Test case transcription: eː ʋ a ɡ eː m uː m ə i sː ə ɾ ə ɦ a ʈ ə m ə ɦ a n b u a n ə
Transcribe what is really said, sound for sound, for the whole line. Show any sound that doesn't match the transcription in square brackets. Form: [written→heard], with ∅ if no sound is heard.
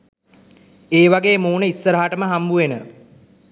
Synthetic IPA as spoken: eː ʋ a ɡ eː m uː [m→n] ə i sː ə ɾ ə ɦ a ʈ ə m ə ɦ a [n→m] b u [a→e] n ə